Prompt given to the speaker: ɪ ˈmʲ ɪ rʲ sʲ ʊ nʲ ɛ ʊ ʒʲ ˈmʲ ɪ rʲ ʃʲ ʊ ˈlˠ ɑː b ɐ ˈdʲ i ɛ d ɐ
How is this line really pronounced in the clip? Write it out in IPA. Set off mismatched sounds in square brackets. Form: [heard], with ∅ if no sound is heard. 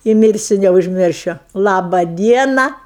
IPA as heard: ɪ ˈmʲ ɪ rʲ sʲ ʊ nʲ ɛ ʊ ʒʲ ˈmʲ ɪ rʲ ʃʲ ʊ ˈlˠ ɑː b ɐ ˈdʲ i ɛ [n] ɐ